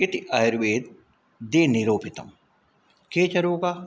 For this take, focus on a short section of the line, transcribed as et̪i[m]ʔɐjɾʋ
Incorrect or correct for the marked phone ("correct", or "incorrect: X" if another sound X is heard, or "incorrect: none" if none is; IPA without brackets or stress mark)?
incorrect: none